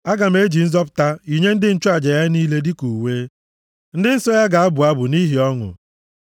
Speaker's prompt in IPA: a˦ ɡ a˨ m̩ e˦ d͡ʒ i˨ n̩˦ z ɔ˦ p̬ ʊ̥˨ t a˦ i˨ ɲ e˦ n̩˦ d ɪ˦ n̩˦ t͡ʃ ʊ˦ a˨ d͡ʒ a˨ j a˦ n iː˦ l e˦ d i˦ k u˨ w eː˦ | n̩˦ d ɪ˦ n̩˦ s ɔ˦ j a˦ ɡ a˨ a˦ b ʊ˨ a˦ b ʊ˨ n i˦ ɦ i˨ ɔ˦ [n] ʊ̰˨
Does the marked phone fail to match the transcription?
yes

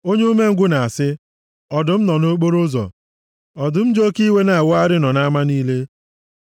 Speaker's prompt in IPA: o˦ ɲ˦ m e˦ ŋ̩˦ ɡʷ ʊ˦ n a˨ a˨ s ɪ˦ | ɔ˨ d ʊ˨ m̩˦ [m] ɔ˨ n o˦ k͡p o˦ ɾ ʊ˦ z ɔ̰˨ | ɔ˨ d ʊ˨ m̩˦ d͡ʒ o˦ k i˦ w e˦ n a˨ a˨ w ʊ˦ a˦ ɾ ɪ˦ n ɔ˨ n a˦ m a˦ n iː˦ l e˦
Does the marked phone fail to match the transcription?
yes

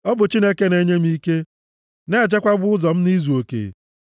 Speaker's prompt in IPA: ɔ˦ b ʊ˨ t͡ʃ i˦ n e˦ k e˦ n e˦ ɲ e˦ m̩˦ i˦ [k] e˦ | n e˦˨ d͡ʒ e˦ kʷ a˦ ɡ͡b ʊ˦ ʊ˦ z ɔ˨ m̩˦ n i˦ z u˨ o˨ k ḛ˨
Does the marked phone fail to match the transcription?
no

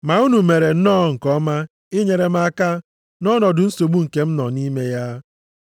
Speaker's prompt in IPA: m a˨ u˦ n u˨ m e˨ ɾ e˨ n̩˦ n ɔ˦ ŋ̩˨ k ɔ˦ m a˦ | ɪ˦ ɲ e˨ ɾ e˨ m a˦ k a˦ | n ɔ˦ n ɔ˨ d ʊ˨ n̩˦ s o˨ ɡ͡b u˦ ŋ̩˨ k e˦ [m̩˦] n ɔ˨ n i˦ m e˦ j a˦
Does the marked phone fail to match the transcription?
no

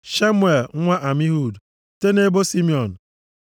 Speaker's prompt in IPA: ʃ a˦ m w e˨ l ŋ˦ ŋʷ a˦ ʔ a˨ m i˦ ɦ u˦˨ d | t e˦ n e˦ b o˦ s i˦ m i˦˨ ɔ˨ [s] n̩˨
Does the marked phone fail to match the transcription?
yes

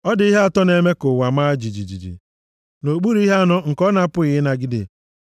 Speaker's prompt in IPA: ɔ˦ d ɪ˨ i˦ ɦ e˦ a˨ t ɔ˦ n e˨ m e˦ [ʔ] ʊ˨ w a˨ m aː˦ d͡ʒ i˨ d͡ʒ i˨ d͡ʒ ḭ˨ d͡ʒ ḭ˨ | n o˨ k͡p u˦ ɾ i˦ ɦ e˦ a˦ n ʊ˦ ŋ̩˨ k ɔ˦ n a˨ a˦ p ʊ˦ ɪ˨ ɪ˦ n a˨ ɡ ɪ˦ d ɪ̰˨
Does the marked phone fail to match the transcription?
yes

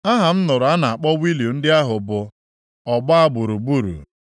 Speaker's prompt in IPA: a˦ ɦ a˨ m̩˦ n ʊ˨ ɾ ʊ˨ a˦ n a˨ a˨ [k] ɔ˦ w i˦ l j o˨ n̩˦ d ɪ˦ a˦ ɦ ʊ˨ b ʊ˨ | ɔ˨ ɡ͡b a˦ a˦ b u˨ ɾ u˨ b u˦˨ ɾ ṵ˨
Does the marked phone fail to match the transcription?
yes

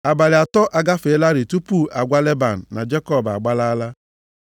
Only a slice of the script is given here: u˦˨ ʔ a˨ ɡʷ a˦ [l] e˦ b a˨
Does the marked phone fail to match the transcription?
no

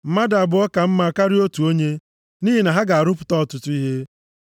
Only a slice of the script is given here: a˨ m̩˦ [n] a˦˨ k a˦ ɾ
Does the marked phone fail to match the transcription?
yes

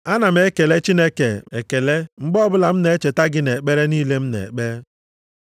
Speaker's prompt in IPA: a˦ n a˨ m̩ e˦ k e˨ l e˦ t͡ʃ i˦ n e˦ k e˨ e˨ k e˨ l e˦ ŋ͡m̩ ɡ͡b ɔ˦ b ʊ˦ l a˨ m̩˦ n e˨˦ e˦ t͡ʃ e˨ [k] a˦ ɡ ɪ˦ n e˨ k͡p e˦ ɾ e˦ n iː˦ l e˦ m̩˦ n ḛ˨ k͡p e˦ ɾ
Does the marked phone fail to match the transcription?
yes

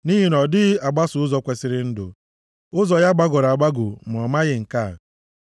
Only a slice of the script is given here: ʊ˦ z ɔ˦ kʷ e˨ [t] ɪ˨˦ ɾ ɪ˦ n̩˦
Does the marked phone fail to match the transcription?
yes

